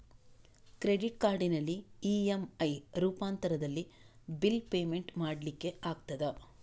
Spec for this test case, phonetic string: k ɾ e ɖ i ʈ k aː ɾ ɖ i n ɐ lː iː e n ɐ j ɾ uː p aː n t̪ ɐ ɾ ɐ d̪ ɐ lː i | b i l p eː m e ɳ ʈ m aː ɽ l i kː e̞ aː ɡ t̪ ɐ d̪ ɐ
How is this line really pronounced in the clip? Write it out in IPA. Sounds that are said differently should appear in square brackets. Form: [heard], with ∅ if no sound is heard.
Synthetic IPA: k ɾ e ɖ i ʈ k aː ɾ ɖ i n ɐ lː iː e [m] ɐ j ɾ uː p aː n t̪ ɐ ɾ ɐ d̪ ɐ lː i | b i l p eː m e ɳ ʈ m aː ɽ l i kː e̞ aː ɡ t̪ ɐ d̪ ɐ